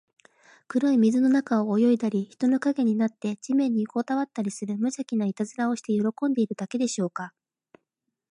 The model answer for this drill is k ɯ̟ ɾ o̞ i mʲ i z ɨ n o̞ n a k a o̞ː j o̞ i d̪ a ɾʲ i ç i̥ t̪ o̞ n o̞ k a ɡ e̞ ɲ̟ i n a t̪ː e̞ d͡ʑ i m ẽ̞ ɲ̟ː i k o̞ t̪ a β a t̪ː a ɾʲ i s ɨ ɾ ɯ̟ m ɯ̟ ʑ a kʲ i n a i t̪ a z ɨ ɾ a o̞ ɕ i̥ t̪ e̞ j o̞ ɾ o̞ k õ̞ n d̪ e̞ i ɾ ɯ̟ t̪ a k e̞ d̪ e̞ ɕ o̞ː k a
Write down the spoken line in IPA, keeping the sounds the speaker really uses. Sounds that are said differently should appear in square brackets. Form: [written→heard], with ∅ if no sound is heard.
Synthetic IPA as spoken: k ɯ̟ ɾ o̞ i mʲ i z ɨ n o̞ n a k a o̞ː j o̞ i d̪ a ɾʲ i ç i̥ t̪ o̞ n o̞ k a ɡ e̞ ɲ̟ i n a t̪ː e̞ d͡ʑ i m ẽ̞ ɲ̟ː i k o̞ t̪ a β a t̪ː a ɾʲ i s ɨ ɾ ɯ̟ m ɯ̟ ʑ a kʲ i n a i t̪ a z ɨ ɾ a o̞ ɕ i̥ t̪ e̞ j o̞ ɾ o̞ k õ̞ n d̪ e̞ i ɾ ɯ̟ [t̪→d̪] a k e̞ d̪ e̞ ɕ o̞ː k a